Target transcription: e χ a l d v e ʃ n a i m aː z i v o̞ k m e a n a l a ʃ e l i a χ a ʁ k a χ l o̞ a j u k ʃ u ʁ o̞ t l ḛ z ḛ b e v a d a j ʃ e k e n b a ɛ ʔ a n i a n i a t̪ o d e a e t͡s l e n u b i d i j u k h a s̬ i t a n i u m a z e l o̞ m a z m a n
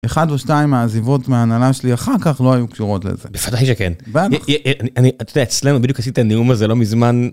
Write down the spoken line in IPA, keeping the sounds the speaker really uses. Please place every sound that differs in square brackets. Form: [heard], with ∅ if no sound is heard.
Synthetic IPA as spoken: e χ a [∅] d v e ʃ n a i m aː z i v o̞ [t] m e a n a l a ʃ e l i a χ a ʁ k a χ l o̞ a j u k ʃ u ʁ o̞ t l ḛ z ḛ b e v a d a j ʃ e k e n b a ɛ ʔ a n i a n i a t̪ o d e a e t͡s l e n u b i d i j u k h a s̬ i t a n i u m a z e l o̞ m [i] z m a n

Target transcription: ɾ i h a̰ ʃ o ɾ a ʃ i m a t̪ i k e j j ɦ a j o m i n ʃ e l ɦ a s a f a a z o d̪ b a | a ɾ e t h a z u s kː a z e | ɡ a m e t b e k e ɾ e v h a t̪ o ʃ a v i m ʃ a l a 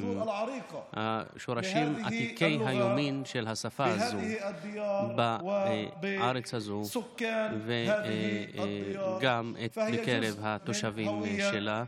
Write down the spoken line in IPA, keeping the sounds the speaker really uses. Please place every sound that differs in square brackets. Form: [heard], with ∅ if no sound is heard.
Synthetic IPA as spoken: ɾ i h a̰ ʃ o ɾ a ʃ i m a t̪ i k e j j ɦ a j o m i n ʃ e l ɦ a s a f a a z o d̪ b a | a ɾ e [t͡s] h a z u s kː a [v] e | ɡ a m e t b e k e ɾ e v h a t̪ o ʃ a v i m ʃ [e] l a

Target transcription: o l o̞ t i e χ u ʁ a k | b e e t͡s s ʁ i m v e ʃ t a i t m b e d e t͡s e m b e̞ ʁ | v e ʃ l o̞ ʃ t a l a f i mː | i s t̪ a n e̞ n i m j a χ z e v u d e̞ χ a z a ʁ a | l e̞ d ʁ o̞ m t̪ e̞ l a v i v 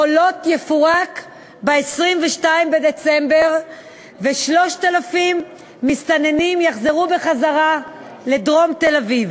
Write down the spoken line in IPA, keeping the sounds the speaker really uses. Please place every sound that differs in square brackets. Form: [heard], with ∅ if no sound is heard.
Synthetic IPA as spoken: o l o̞ t [j] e [f] u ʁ a k | b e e [∅] s ʁ i m v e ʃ t a i [∅] m b e d e t͡s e m b e̞ ʁ | v e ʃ l o̞ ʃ t a l a f i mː | i s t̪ a n e̞ n i m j a χ z e [ʁ] u [b] e̞ χ a z a ʁ a | l e̞ d ʁ o̞ m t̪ e̞ l a v i v

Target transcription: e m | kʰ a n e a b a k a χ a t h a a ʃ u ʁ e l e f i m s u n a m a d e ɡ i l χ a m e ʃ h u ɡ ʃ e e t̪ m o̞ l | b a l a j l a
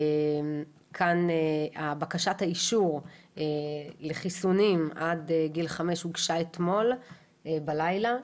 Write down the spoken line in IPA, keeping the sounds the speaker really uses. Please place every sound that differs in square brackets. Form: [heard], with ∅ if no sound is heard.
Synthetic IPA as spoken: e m | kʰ a n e a b a k a [ʃ] a t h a [i] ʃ u ʁ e l e [χ] i [∅] s u n [i] m a d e ɡ i l χ a m e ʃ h u ɡ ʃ [a] e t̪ m o̞ l | b a l a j l a

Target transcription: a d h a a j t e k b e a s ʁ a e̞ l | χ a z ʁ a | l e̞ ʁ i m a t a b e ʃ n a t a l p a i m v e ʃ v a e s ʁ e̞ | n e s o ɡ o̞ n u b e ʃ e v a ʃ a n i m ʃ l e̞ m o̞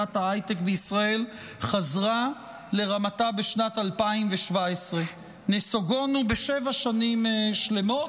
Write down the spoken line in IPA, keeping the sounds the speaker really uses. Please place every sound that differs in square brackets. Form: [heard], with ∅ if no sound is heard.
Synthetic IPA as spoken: a [t] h a a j t e k b e [i] s ʁ a e̞ l | χ a z ʁ a | l e̞ ʁ [a] m a t a b e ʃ n a t a l p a i m v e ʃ v a e s ʁ e̞ | n e s o ɡ o̞ n u b e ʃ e v a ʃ a n i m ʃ l e̞ m o̞

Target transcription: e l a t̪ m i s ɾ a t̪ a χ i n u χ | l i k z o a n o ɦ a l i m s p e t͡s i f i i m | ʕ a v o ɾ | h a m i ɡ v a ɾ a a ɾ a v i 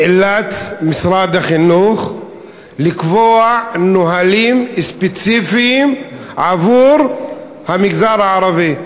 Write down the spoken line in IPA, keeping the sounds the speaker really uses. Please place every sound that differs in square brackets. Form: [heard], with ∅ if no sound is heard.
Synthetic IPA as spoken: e l a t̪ m i s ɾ a [d̪] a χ i n u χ | l i k [v] o a n o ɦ a l i m s p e t͡s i f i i m | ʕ a v [u] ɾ | h a m i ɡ [z] a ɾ a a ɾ a v i

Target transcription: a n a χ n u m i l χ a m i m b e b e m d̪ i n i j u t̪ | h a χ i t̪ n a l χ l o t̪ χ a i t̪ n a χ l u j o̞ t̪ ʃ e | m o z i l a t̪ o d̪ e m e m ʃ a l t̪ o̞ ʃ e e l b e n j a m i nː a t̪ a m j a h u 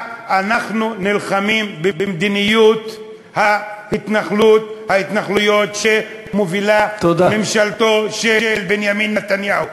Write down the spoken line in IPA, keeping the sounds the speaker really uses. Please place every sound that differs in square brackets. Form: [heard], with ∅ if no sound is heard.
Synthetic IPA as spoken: a n a χ n u [n] i l χ a m i m b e b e m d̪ i n i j u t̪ | h a [h] i t̪ n a [∅] χ l [u] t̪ [h] a i t̪ n a χ l u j o̞ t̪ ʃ e | m o [v] i l a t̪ o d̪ [a] m e m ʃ a l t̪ o̞ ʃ e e l b e n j a m i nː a t̪ a [n] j a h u

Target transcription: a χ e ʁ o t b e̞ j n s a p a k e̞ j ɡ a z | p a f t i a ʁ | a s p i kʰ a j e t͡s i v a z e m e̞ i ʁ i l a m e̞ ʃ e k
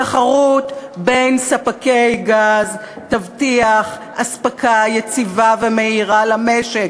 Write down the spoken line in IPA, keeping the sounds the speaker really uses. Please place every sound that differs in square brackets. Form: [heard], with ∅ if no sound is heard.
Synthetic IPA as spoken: a χ [a] ʁ [u] t b e̞ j n s a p a k e̞ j ɡ a z | [t] a [v] t i a [χ] | a s p [a] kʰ a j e t͡s i v a [v] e m e̞ i ʁ [a] l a m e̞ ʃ e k

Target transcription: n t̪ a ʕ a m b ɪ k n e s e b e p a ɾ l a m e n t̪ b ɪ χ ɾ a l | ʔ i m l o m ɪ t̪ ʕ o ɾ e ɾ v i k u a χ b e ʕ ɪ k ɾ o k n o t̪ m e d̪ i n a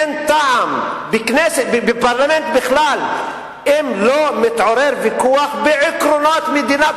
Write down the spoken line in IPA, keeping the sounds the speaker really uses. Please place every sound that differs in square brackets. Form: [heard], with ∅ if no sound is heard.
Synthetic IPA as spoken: n t̪ a ʕ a m b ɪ k n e s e b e p a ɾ l a m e n t̪ b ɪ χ [l] a l | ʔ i m l o m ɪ t̪ ʕ o ɾ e ɾ v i k u a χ b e ʕ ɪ k ɾ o [∅] n o t̪ m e d̪ i n a

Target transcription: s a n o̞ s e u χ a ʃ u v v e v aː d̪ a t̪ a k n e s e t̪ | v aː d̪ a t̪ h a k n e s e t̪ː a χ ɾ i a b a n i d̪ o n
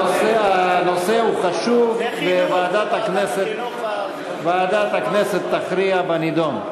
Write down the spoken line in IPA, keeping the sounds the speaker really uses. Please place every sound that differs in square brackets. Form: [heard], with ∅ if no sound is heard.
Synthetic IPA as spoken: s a n o̞ s e u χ a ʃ u v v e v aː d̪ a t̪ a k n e s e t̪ | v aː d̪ a t̪ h a k n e s e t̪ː a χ ɾ i a b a n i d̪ o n

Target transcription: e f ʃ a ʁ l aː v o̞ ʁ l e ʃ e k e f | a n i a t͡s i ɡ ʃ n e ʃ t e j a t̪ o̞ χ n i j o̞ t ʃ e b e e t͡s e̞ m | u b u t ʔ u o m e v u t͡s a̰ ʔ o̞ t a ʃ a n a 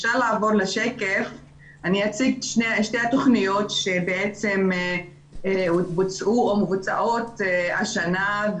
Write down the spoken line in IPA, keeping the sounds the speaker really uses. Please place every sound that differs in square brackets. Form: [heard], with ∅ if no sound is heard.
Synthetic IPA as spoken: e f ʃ a ʁ l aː v o̞ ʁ l e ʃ e k e f | a n i a t͡s i ɡ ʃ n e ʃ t e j a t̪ o̞ χ n i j o̞ t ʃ e b e e t͡s e̞ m | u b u [t͡s] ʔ u o m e v u t͡s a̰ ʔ o̞ t a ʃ a n a

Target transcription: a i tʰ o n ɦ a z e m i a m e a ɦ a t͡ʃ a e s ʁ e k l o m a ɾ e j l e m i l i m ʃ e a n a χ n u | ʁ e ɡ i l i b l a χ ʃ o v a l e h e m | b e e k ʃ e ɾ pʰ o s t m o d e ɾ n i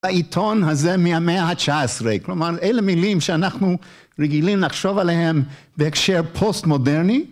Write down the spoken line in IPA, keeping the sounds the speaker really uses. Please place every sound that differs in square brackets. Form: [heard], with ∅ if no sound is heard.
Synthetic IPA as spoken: a i tʰ o n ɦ a z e m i a m e a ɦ a t͡ʃ a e s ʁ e k l o m a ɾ e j l e m i l i m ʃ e a n a χ n u | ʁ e ɡ i l i [m] l a χ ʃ o v a l e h e m | b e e k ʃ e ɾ pʰ o s t m o d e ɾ n i

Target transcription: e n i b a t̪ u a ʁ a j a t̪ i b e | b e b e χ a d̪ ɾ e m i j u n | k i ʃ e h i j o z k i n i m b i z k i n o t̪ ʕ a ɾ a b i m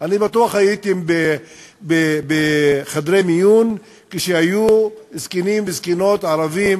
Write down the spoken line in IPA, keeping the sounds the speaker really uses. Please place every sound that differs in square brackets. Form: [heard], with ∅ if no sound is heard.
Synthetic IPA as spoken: [a] n i b a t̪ u a [χ] a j [i] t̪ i b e | b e b e χ a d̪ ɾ e m i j u n | k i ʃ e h [a] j [u] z k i n i m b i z k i n o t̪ ʕ a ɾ a [v] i m

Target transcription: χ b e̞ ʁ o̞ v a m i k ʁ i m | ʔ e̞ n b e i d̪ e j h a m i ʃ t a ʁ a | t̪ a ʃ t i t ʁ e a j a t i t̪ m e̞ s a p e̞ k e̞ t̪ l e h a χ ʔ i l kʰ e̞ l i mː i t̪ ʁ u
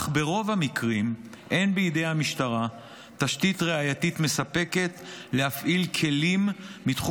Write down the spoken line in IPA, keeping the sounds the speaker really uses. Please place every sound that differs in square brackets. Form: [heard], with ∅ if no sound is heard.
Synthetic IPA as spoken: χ b e̞ ʁ o̞ v a m i k ʁ i m | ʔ e̞ n b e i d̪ e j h a m i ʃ t a ʁ a | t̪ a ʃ t i t ʁ e a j a t i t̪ m e̞ s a p e̞ k e̞ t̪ l e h a [f] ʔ i l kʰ e̞ l i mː i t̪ [χ] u

